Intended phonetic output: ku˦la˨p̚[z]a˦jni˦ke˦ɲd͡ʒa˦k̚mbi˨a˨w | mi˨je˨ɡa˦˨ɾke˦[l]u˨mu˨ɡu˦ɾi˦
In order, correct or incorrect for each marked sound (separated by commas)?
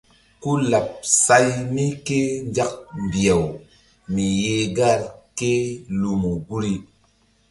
incorrect, correct